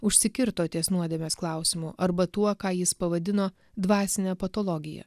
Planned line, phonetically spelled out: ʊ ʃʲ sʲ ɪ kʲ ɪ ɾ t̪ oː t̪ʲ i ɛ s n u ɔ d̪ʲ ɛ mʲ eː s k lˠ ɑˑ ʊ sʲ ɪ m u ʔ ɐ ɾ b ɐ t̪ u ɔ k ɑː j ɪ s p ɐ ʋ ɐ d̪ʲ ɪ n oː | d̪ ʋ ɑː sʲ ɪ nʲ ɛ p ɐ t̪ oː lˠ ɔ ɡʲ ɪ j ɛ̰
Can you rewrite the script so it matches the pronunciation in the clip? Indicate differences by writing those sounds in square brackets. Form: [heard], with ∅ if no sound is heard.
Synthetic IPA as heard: ʊ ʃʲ sʲ ɪ kʲ ɪ ɾ t̪ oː t̪ʲ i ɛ s n u ɔ d̪ʲ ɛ mʲ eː s k lˠ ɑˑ ʊ sʲ ɪ m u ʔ ɐ ɾ b ɐ t̪ u ɔ k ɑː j ɪ s p ɐ ʋ ɐ d̪ʲ ɪ n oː | d̪ ʋ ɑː sʲ ɪ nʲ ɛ p ɐ t̪ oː lˠ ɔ ɡʲ ɪ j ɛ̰